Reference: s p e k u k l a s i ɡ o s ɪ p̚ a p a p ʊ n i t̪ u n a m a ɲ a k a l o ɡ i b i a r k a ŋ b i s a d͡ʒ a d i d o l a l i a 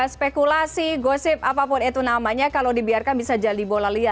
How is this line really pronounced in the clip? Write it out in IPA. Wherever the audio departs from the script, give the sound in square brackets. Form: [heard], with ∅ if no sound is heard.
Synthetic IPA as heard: s p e k u [∅] l a s i ɡ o s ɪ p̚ a p a p ʊ n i t̪ u n a m a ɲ a k a l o [d] i b i a r k a [n] b i s a d͡ʒ a d i [b] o l a l i a

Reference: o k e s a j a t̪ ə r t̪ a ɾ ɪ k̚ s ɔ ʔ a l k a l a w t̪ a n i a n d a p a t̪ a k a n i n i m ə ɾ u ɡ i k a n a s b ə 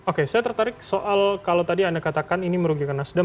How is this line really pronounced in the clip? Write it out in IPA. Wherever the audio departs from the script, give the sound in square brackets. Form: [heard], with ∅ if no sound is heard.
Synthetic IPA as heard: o k e s a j a t̪ ə r t̪ a ɾ ɪ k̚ s [o] ʔ a l k a l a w t̪ a [d] i a n d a [k] a t̪ a k a n i n i m ə ɾ u ɡ i k a n a s [d] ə

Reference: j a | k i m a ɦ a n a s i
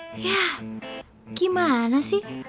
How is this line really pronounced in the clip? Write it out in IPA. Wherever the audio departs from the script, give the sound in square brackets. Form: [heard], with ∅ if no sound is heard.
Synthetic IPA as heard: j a | k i m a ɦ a n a s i

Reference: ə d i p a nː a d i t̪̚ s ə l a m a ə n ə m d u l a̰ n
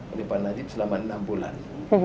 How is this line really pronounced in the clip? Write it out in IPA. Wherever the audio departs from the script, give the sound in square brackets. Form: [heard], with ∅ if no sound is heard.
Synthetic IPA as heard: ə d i p a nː a [d͡ʒ] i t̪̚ s ə l a m a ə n [a] m [b] u l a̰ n

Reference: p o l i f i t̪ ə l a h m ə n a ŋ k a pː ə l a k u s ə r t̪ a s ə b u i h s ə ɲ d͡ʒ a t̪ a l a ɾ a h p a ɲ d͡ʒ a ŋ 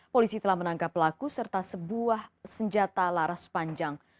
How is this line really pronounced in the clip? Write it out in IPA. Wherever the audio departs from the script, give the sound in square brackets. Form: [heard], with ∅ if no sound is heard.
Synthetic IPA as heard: p o l i [s] i t̪ ə l a h m ə n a ŋ k a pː ə l a k u s ə r t̪ a s ə b u [a] h s ə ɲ d͡ʒ a t̪ a l a ɾ a [s] p a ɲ d͡ʒ a ŋ

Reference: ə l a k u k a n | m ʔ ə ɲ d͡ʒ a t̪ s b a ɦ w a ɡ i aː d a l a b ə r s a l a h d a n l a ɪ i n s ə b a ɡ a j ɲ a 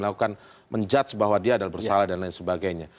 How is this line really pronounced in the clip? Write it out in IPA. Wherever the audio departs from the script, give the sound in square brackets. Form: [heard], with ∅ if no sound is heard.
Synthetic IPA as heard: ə l a k u k a n | m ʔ ə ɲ d͡ʒ a t̪ s b a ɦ w a [d] i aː d a l a b ə r s a l a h d a n l a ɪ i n s ə b a ɡ a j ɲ a

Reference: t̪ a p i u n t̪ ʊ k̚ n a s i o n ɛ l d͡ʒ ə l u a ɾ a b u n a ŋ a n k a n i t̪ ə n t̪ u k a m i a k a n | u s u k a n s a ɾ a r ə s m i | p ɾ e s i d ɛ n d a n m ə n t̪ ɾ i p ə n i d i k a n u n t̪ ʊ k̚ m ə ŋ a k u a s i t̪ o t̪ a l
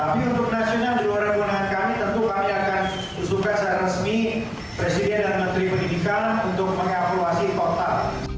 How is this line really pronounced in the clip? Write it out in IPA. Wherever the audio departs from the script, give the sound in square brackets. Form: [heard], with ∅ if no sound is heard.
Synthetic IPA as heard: t̪ a p i u n t̪ ʊ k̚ n a s i o n [a] l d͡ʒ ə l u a ɾ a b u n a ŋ a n k a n i t̪ ə n t̪ u k a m i a k a n | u s u k a n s a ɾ a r ə s m i | p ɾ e s i d ɛ n d a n m ə n t̪ ɾ i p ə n i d i k a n u n t̪ ʊ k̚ m ə ŋ a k u a s i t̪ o t̪ a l

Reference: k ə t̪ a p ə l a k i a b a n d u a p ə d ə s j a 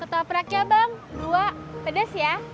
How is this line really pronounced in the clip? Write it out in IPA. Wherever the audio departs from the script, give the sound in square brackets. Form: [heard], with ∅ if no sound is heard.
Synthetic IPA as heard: k ə t̪ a p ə [ɾ] a k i a b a [ŋ] d u a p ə d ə s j a

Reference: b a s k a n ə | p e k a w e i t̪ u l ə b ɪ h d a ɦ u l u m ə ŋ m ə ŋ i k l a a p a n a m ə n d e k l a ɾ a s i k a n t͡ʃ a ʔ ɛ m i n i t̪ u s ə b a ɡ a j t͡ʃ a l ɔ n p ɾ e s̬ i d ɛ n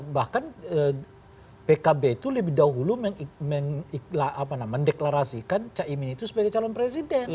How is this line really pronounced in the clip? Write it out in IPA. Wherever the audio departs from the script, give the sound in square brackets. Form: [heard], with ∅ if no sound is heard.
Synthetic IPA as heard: b a [h] k a n ə | p e k a [b] e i t̪ u l ə b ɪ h d a ɦ u l u m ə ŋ m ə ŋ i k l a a p a n a m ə n d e k l a ɾ a s i k a n t͡ʃ a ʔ [i] m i n i t̪ u s ə b a ɡ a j t͡ʃ a l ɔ n p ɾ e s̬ i d ɛ n

